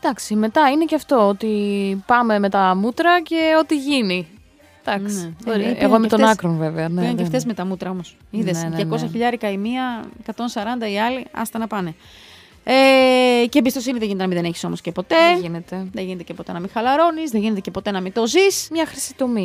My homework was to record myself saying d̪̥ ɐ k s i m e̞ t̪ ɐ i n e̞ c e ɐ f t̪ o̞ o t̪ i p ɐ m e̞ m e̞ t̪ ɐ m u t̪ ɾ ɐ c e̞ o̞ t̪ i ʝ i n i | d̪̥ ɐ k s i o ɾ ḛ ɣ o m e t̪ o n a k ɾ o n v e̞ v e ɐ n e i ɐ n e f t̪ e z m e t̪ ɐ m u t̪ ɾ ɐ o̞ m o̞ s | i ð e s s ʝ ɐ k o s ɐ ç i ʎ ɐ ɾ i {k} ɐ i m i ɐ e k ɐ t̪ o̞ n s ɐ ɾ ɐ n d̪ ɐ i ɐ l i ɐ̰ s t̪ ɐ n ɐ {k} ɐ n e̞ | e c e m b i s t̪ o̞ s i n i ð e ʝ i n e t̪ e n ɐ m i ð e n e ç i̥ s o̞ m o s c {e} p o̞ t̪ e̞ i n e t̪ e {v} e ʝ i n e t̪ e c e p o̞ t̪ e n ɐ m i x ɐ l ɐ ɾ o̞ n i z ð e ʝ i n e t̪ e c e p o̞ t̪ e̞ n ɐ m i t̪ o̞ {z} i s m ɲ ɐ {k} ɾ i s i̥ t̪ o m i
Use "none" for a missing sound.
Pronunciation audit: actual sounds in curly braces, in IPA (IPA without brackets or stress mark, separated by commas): k, p, e, ð, z, x